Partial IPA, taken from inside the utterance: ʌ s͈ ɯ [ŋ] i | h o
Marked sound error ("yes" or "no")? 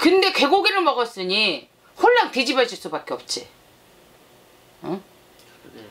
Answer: yes